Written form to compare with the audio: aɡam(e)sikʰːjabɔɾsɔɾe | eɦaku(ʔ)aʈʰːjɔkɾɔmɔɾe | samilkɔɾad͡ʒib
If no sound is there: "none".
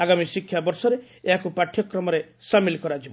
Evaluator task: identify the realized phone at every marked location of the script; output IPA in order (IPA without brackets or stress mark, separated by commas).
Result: i, p